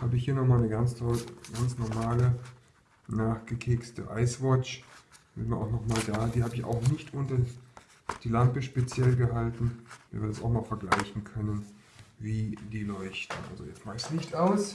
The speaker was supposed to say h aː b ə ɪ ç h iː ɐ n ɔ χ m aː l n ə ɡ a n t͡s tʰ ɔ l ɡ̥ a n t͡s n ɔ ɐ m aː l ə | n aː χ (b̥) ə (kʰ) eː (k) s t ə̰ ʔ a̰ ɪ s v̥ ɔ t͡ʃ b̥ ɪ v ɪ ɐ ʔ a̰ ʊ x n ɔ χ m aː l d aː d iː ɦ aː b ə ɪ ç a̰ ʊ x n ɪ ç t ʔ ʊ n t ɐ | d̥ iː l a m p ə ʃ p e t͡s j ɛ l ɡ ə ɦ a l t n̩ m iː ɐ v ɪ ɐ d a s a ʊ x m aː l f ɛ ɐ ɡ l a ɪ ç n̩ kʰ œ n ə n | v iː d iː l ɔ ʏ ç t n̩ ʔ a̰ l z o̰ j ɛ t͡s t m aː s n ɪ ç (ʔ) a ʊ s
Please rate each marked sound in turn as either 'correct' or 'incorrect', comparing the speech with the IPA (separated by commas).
incorrect, correct, correct, incorrect